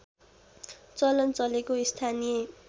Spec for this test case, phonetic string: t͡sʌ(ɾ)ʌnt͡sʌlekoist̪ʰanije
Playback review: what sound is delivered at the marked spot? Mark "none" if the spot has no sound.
l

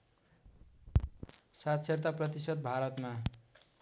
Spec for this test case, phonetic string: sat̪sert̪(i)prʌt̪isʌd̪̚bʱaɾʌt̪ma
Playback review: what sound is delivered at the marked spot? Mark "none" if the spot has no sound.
a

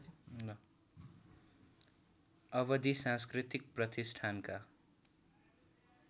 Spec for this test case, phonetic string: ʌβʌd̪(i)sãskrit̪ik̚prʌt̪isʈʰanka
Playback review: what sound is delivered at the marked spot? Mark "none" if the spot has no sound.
i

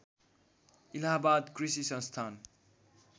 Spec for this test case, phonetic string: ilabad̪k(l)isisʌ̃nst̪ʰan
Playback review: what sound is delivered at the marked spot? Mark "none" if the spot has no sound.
r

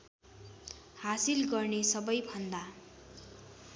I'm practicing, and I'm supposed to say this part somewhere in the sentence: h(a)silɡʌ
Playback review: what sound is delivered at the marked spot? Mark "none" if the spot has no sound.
a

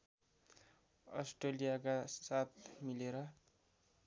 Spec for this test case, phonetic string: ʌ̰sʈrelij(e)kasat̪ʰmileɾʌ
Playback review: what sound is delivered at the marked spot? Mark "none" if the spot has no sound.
a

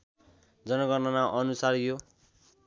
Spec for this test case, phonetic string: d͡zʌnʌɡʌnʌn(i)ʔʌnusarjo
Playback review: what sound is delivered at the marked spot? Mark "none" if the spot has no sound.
a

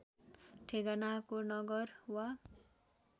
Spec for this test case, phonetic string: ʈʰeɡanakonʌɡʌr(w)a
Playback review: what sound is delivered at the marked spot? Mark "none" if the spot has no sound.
w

